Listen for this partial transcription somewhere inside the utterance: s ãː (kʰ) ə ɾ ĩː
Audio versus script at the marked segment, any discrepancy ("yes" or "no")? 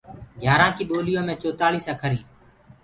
no